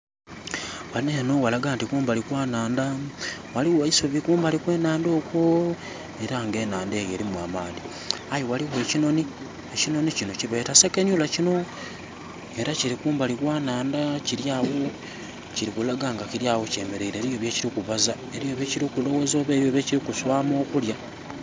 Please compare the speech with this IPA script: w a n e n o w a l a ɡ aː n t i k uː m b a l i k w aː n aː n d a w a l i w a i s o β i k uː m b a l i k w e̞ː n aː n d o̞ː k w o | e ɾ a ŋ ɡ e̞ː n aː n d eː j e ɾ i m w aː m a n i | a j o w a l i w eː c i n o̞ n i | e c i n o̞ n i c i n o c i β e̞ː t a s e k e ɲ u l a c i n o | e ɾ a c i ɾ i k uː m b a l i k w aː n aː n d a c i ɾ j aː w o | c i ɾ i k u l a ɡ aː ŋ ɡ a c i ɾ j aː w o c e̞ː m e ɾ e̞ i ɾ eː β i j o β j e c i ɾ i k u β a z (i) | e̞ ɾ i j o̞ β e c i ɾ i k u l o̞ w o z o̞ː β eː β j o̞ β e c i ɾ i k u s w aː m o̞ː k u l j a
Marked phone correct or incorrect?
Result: incorrect